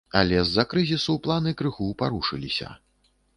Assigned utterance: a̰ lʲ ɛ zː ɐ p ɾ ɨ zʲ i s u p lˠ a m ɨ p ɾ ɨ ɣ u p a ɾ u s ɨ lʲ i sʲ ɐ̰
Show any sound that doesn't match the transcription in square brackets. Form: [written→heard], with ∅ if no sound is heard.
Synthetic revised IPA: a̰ lʲ ɛ zː ɐ [p→k] ɾ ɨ zʲ i s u p lˠ a [m→n] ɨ [p→k] ɾ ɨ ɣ u p a ɾ u [s→ʂ] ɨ lʲ i sʲ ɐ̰